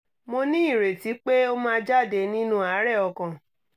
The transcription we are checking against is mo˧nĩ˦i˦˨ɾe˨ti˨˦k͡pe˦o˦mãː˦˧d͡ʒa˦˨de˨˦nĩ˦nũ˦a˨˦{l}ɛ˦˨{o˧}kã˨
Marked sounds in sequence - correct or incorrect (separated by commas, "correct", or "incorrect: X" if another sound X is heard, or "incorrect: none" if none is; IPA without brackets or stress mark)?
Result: incorrect: ɾ, incorrect: ɔ˧